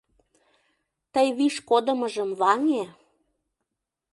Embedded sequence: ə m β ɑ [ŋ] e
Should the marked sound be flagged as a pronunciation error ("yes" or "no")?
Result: no